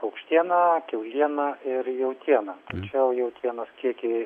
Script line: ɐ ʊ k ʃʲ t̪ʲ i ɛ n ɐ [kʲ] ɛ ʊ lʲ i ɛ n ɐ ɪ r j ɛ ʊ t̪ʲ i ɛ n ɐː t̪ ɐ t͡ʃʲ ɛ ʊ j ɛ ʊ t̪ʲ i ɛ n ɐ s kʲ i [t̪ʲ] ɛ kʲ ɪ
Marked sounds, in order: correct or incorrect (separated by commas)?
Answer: correct, incorrect